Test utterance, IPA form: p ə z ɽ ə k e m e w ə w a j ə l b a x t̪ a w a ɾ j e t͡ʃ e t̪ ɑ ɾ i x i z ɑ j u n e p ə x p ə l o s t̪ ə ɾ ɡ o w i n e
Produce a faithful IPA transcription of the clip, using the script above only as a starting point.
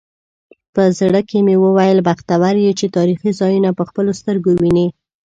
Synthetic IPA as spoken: p ə z ɽ ə k e m e w ə w a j ə l b a x t̪ a w a ɾ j e t͡ʃ e t̪ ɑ ɾ i x i z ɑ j u n a p ə x p ə l o s t̪ ə ɾ ɡ o w i n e

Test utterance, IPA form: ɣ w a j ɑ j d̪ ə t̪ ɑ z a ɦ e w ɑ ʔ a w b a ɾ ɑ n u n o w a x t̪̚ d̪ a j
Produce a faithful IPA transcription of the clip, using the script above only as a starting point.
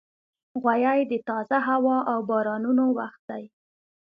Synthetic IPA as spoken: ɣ w a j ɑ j d̪ ə t̪ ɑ z a ɦ a w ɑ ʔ a w b ɑ ɾ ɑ n u n o w a x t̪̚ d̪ a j

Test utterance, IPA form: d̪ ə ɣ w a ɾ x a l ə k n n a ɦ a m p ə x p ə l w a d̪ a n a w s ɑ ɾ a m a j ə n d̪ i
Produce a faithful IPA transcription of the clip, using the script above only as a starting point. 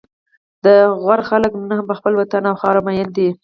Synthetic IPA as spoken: d̪ ə ɣ w a ɾ x a l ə k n n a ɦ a m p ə x p ə l w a t̪ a n a w x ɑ ɾ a m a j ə n d̪ i

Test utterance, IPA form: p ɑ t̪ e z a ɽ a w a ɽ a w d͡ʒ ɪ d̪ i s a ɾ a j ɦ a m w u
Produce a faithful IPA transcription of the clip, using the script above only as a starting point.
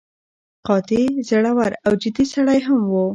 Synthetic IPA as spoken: q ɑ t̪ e z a ɽ a w a ɾ a w d͡ʒ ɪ d̪ i s a ɽ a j ɦ a m w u

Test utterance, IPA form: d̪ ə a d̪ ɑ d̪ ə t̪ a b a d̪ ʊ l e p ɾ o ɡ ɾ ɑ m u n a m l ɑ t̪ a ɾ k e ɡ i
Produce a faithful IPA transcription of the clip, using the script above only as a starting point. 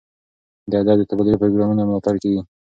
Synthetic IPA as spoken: d̪ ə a d̪ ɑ d̪ ə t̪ a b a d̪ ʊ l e p ɾ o ɡ ɾ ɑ m u n a m l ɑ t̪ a ɾ k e ɡ i

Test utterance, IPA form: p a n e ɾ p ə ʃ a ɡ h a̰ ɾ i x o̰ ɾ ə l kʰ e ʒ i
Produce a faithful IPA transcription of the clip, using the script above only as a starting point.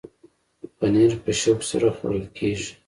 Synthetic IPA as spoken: p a n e ɾ p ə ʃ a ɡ s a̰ ɾ a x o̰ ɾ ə l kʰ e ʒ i

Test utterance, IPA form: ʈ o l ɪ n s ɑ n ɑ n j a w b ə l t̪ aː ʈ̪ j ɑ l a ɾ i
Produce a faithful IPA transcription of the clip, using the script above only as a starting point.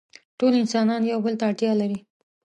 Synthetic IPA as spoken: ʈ o l ɪ n s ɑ n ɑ n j a w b ə l t̪ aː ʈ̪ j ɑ l a ɾ i

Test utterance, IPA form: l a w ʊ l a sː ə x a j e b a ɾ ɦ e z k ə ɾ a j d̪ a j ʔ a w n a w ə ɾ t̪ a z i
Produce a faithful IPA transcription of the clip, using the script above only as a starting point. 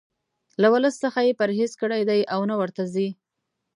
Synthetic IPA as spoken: l a w ʊ l ə sː ə x a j e p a ɾ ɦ e z k ə ɽ a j d̪ a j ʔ a w n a w ə ɾ t̪ a z i

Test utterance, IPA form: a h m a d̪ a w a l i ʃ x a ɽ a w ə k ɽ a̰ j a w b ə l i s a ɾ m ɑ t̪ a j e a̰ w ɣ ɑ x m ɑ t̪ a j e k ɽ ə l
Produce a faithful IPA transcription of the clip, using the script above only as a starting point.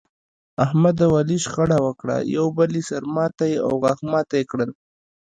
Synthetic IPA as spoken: a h m a d̪ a w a l i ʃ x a ɽ a w ə k ɽ a̰ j a w b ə l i s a ɾ m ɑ t̪ a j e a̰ w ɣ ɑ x m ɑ t̪ a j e k ɽ ə l

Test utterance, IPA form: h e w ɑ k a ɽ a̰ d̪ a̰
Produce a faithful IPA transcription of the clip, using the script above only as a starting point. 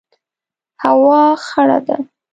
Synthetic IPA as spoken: h a w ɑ x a ɽ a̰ d̪ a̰

